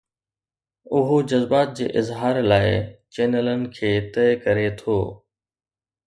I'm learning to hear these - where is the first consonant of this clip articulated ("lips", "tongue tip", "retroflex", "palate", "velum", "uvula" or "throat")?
throat